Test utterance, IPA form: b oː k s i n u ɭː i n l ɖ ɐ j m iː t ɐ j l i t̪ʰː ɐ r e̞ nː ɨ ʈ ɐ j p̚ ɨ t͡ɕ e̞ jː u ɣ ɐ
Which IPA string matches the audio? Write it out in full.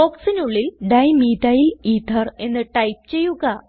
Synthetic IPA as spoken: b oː k s i n u ɭː i l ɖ ɐ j m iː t ɐ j l i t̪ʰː ɐ r e̞ nː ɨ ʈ ɐ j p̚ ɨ t͡ɕ e̞ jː u ɣ ɐ